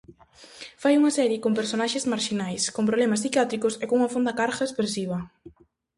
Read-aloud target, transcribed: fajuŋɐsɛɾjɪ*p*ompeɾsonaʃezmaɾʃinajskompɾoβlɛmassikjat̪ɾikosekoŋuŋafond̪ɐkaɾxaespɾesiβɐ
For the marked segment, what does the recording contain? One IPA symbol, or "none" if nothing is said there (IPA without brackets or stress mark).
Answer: k